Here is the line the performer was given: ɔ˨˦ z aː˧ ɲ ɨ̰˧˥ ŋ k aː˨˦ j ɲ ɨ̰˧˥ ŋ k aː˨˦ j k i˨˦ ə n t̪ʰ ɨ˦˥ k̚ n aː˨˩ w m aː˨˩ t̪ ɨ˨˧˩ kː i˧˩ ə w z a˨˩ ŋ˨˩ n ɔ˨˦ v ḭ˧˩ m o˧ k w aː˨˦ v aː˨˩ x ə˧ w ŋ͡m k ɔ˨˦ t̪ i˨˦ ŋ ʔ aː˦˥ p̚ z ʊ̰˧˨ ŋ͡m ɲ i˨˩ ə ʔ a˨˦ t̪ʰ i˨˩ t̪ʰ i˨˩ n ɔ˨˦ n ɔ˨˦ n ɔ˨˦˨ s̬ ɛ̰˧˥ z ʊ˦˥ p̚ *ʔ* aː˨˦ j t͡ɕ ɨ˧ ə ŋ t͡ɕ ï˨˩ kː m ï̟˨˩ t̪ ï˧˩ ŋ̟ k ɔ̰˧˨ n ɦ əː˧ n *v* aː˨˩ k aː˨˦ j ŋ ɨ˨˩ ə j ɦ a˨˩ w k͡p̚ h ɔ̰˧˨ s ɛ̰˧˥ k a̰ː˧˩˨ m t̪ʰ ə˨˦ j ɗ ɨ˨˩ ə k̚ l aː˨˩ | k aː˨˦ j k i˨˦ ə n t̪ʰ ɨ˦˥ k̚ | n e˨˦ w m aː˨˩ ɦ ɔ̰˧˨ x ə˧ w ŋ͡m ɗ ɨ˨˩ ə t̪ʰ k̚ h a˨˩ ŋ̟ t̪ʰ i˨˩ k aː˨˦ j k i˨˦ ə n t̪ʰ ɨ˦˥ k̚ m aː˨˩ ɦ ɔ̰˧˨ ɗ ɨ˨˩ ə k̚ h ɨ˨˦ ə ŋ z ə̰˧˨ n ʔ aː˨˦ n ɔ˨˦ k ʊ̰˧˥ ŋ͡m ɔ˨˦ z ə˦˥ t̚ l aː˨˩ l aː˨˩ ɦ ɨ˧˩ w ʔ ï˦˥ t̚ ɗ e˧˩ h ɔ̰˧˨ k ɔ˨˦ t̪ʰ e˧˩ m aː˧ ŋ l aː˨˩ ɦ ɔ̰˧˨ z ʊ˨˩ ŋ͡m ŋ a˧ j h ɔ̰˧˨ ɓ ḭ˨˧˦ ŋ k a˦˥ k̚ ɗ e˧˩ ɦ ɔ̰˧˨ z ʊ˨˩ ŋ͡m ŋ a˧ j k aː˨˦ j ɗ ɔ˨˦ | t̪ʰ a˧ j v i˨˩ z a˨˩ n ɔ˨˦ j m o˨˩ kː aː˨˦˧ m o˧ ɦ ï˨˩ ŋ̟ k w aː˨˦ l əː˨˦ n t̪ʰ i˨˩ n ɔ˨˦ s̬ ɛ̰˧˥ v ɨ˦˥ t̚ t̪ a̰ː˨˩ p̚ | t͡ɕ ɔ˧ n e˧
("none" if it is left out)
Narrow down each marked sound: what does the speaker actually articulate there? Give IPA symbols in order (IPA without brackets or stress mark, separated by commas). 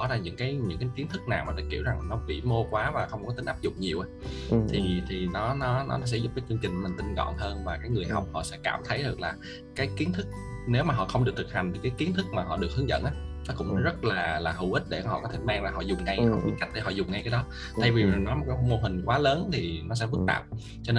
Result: k, v